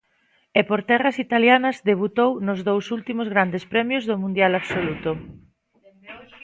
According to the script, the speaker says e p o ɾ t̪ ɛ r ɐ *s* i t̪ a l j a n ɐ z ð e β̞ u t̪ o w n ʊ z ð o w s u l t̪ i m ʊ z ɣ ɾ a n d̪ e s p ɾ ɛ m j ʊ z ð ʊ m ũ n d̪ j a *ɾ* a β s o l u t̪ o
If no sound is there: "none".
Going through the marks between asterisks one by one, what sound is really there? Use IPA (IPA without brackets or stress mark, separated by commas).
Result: s, l